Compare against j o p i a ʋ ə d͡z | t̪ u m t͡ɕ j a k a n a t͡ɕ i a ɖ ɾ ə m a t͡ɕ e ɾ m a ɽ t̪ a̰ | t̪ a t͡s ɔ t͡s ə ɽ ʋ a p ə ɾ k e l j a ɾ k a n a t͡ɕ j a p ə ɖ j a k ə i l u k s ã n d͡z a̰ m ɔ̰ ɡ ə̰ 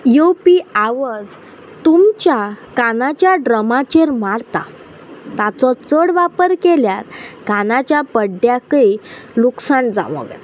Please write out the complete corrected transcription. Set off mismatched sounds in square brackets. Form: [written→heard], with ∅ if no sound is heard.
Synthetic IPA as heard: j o p i a ʋ ə d͡z | t̪ u m t͡ɕ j a k a n a t͡ɕ [i→j] a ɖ ɾ ə m a t͡ɕ e ɾ m a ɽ t̪ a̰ | t̪ a t͡s ɔ t͡s ə ɽ ʋ a p ə ɾ k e l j a ɾ k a n a t͡ɕ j a p ə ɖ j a k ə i l u k s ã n d͡z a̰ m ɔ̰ ɡ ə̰